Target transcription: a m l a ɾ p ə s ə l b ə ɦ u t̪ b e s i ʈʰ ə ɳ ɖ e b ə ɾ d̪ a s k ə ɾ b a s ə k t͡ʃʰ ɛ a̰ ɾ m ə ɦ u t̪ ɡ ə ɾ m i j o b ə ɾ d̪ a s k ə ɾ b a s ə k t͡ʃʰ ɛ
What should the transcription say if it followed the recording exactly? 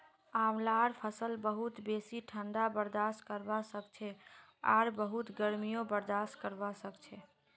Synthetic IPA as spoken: a m l a ɾ pʰ ə s ə l b ə ɦ u t̪ b e s i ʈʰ ə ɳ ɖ a b ə ɾ d̪ a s k ə ɾ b a s ə k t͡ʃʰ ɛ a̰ ɾ b ə ɦ u t̪ ɡ ə ɾ m i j o b ə ɾ d̪ a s k ə ɾ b a s ə k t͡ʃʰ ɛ